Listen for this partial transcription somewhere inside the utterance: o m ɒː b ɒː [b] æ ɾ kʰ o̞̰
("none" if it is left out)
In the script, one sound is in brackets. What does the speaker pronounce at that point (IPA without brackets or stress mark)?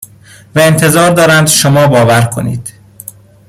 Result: v